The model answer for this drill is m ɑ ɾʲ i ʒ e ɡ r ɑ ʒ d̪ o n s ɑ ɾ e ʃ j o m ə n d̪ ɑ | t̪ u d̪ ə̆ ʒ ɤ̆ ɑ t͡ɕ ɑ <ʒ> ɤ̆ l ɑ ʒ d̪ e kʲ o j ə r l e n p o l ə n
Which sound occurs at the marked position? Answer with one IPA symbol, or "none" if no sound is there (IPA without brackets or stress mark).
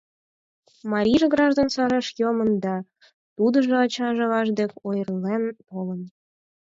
ʒ